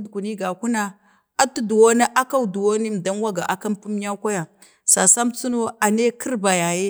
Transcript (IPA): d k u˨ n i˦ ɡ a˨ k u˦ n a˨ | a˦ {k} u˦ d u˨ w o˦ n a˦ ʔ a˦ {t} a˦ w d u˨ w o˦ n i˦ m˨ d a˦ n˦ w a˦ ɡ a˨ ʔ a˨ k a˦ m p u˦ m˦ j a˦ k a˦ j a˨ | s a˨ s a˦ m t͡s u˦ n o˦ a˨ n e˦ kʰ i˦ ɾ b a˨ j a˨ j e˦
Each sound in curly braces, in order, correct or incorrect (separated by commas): incorrect, incorrect